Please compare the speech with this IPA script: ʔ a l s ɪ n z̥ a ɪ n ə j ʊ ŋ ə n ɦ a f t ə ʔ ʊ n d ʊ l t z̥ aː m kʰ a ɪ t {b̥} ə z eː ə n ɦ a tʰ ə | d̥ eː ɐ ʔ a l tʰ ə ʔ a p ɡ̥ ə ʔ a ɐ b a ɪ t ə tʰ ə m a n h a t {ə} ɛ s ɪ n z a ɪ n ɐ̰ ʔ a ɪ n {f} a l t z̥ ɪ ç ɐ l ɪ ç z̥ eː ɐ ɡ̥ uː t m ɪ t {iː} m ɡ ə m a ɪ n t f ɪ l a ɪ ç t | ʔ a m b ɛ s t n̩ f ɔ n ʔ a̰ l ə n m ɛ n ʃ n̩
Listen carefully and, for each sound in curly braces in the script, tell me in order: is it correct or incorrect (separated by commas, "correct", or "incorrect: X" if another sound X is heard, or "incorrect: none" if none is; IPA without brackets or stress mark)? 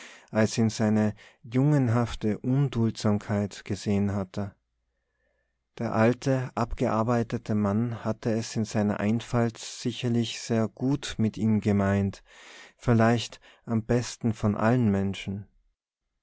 incorrect: ɡ̥, correct, correct, correct